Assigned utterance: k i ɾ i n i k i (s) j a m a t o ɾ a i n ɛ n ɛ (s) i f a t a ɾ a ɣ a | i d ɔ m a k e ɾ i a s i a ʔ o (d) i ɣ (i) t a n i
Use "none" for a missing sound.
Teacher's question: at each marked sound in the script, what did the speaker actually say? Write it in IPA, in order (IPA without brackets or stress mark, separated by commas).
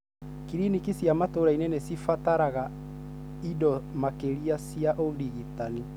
s, s, d, i